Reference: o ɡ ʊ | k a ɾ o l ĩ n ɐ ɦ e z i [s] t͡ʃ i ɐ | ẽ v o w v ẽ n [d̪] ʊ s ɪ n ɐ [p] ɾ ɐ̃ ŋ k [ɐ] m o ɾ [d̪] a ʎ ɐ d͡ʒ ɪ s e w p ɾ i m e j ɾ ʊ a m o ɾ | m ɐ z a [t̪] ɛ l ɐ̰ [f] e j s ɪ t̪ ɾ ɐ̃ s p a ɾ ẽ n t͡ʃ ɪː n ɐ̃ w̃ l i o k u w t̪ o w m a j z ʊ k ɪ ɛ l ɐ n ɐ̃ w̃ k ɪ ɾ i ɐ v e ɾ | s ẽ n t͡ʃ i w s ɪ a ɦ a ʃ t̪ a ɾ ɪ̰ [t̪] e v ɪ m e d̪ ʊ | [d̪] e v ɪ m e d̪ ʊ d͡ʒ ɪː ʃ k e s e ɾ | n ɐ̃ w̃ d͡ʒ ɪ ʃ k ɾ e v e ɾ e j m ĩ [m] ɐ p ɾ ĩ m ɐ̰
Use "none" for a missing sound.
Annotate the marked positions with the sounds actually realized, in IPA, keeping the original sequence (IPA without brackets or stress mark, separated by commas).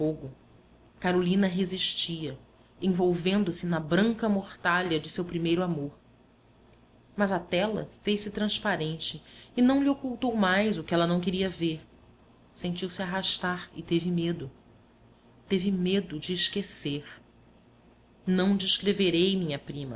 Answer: ʃ, d̪, b, ɐ, t̪, t̪, f, t̪, t̪, ɲ